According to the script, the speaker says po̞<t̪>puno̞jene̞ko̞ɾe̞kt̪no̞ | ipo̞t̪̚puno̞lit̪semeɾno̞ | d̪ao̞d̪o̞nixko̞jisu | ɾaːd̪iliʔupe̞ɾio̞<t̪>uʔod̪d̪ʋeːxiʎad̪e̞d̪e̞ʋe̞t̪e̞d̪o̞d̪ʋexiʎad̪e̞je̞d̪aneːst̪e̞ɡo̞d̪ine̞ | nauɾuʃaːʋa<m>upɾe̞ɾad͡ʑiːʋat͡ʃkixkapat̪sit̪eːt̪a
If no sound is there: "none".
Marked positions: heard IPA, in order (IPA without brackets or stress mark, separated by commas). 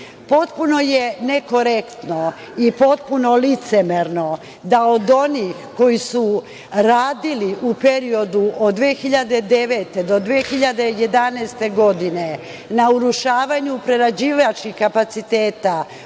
t̪, d̪, ɲ